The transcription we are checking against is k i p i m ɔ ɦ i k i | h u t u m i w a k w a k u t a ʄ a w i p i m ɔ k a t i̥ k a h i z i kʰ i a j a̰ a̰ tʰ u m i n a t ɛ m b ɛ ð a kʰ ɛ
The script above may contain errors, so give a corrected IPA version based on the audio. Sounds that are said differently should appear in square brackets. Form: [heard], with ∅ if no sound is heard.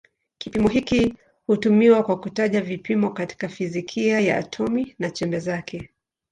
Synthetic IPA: k i p i m ɔ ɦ i k i | h u t u m i w a k w a k u t a ʄ a [v] i p i m ɔ k a t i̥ k a [f] i z i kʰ i a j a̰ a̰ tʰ [ɔ] m i n a [t͡ʃ] ɛ m b ɛ [z] a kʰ ɛ